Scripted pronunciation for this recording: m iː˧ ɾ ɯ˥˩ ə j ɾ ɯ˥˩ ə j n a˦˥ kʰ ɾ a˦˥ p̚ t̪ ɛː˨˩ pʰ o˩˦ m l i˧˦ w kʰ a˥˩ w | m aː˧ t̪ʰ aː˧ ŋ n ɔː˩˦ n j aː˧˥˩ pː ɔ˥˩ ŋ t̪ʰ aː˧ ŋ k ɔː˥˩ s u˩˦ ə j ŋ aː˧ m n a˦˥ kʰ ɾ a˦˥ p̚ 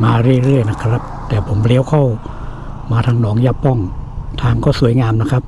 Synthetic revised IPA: m aː˧ ɾ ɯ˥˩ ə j ɾ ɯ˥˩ ə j n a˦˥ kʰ ɾ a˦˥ p̚ t̪ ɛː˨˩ pʰ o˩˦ m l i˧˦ w kʰ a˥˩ w | m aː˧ t̪ʰ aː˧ ŋ n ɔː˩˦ ŋ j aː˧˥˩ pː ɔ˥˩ ŋ t̪ʰ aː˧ ŋ k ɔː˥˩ s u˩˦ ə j ŋ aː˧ m n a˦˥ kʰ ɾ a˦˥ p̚